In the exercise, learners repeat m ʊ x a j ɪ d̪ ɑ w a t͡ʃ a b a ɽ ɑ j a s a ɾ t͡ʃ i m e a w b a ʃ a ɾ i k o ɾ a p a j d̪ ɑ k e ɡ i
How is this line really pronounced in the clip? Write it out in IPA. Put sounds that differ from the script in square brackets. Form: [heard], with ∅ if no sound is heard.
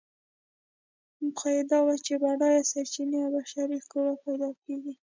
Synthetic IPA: m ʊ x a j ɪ d̪ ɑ w a t͡ʃ [e] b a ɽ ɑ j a s a ɾ t͡ʃ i [n] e a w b a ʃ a ɾ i k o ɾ a p a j d̪ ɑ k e ɡ i